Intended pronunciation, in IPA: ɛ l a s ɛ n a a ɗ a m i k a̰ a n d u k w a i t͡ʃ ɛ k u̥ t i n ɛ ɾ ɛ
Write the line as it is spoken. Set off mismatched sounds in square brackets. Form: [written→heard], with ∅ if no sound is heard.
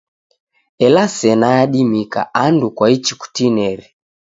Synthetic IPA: ɛ l a s ɛ n a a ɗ [a→i] m i k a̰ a n d u k w a i t͡ʃ [ɛ→i] k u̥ t i n ɛ ɾ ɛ